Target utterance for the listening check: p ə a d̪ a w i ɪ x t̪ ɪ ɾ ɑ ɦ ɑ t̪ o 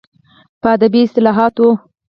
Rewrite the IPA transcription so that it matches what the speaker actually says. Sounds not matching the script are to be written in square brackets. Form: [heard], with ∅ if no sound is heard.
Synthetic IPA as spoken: p ə a d̪ a [b] i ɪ [s] t̪ ɪ [l] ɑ ɦ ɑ t̪ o